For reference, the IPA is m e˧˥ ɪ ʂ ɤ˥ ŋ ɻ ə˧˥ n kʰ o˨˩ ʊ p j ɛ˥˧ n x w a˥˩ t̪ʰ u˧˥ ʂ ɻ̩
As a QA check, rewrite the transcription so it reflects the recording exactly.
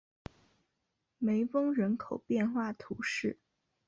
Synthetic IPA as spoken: m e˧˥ ɪ f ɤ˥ ŋ ɻ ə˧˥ n kʰ o˨˩ ʊ p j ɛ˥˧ n x w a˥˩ t̪ʰ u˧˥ ʂ ɻ̩